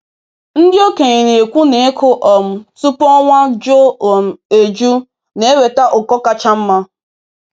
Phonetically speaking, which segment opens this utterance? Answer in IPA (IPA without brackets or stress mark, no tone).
n̩